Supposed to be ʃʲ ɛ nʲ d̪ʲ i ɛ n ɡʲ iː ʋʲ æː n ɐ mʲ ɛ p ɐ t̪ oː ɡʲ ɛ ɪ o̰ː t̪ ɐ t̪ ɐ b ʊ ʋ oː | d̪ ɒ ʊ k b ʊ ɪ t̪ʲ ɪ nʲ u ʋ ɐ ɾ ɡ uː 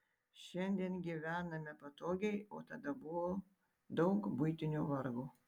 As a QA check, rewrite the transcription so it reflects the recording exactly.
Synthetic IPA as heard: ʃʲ ɛ nʲ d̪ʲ i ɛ n ɡʲ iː ʋʲ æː n ɐ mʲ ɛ p ɐ t̪ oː ɡʲ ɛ ɪ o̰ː t̪ ɐ d̪ ɐ b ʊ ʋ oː | d̪ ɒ ʊ k b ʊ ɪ t̪ʲ ɪ nʲ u ʋ ɐ ɾ ɡ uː